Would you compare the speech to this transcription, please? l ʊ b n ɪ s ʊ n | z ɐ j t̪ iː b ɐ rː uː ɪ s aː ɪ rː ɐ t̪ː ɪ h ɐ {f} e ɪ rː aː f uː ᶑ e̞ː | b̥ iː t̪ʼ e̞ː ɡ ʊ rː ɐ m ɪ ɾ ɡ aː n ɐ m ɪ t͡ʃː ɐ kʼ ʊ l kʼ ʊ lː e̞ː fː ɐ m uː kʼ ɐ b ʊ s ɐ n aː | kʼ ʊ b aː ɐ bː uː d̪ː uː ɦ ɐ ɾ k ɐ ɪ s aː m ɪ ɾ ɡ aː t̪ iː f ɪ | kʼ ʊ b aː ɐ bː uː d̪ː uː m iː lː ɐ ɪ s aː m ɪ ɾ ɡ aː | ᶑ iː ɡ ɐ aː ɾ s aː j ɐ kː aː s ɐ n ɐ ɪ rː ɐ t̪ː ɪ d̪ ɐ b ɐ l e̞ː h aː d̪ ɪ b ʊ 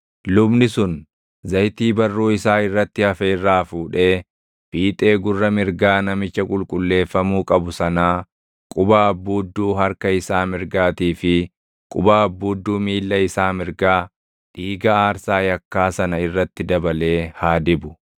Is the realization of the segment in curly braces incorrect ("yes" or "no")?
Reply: no